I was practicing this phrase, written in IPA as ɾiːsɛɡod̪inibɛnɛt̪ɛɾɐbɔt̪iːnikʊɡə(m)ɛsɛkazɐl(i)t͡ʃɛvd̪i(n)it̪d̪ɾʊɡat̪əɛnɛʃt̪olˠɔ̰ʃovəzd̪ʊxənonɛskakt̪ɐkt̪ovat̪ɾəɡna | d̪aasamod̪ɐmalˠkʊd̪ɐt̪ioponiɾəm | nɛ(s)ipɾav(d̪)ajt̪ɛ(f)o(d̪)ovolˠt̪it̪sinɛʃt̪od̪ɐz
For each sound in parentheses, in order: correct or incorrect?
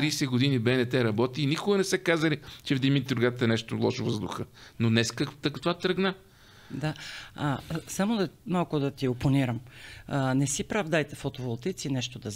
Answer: incorrect, correct, incorrect, correct, correct, correct, incorrect

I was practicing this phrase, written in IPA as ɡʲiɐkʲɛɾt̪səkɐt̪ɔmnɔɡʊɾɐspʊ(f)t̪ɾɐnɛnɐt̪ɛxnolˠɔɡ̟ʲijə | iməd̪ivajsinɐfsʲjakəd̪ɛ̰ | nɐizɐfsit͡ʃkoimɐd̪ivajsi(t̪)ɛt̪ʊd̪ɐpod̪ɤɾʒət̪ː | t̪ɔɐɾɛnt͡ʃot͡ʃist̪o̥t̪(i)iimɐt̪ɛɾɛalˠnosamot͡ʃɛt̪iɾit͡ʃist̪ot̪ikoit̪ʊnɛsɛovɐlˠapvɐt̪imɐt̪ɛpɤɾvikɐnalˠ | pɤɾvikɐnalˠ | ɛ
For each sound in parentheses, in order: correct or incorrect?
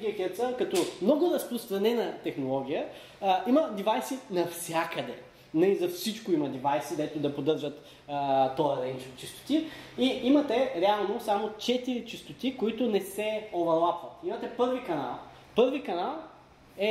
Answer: incorrect, incorrect, correct

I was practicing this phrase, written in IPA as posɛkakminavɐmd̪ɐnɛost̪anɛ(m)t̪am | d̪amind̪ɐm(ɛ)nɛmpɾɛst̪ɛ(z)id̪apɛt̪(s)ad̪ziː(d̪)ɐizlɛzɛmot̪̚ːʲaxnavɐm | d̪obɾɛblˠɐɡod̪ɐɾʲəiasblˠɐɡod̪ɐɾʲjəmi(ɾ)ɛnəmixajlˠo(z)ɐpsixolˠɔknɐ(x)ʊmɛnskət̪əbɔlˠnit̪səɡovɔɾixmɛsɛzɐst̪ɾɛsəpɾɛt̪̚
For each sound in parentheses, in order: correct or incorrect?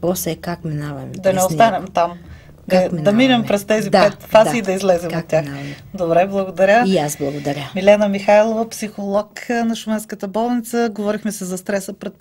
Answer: correct, incorrect, correct, incorrect, correct, incorrect, incorrect, incorrect

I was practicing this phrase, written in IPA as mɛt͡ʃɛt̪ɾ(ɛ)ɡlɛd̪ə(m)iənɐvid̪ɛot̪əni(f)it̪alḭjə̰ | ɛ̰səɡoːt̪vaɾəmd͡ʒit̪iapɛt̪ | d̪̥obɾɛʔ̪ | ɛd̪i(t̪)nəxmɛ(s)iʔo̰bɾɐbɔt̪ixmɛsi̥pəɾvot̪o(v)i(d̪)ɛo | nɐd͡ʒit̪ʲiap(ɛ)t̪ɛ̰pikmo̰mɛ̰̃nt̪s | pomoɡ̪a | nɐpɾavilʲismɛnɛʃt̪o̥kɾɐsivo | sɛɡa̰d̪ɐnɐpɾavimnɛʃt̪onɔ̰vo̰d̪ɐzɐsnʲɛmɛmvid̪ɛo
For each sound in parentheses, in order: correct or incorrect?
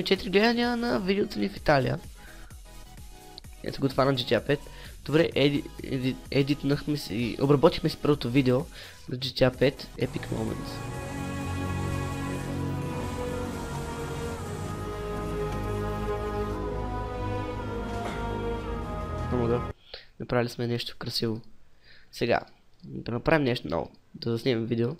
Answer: incorrect, incorrect, correct, correct, correct, correct, correct, correct

